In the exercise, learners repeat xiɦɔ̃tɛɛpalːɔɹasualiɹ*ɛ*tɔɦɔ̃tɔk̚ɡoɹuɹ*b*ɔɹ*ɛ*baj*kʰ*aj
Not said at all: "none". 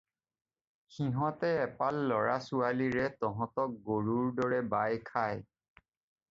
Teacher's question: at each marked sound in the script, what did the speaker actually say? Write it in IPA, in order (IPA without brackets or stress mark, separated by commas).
ɛ, d, ɛ, kʰ